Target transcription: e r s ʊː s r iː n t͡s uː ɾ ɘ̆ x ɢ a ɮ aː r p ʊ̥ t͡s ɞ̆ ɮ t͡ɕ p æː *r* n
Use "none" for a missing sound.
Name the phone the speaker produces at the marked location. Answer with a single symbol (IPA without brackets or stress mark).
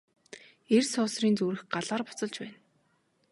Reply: none